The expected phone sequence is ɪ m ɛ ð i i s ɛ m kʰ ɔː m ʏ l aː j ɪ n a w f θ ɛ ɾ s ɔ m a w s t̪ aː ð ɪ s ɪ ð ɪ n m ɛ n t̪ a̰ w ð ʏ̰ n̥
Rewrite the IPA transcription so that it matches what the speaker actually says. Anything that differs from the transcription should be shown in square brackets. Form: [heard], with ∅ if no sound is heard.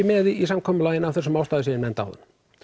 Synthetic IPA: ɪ m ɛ ð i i s [a] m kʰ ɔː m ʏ l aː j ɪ n a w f θ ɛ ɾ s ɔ m a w s t̪ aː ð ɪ s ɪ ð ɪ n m ɛ n t̪ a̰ w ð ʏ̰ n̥